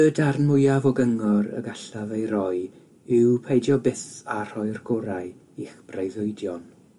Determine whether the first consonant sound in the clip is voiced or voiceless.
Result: voiced